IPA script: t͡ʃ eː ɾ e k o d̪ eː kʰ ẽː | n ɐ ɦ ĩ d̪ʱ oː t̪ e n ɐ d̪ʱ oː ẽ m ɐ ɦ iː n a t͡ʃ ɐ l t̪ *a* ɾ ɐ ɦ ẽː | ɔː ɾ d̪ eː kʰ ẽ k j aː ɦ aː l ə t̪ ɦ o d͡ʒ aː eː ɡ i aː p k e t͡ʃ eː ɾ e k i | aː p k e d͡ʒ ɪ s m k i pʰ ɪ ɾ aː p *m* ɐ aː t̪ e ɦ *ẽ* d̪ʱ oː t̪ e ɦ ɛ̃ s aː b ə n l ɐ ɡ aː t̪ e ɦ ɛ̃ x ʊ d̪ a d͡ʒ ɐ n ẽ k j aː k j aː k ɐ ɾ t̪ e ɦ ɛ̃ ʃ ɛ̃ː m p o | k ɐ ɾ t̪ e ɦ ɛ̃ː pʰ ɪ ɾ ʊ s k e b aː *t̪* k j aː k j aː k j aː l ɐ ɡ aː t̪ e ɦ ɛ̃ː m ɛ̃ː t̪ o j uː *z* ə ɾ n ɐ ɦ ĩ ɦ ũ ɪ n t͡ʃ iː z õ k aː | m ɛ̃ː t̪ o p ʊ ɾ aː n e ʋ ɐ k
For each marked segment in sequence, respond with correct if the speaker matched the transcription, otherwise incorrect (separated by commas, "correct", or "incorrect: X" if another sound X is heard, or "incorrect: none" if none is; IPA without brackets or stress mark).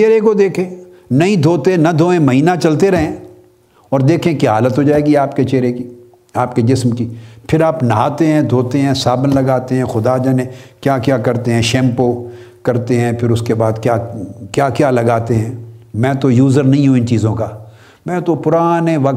incorrect: e, incorrect: n, incorrect: ɛ̃, incorrect: d̪, correct